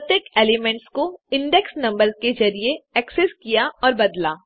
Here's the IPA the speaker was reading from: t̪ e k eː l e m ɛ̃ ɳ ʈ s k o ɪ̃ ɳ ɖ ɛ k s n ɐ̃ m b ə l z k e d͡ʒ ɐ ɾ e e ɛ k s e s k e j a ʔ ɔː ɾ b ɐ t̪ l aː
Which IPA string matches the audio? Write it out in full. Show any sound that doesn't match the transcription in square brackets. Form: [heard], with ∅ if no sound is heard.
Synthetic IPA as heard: t̪ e k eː l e m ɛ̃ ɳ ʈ s k o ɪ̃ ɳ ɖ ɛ k s n ɐ̃ m b ə [ɾ] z k e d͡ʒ ɐ ɾ [i] e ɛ k s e s k [i] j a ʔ ɔː ɾ b ɐ [d̪] l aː